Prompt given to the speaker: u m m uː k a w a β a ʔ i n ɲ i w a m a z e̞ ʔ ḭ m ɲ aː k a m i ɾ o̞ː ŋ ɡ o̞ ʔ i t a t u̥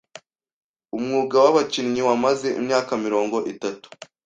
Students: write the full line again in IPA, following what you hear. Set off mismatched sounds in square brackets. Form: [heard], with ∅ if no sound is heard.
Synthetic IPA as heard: u m [ŋ] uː [ɡ] a w a β a [c] i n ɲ i w a m a z e̞ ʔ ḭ m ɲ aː k a m i ɾ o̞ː ŋ ɡ o̞ ʔ i t a t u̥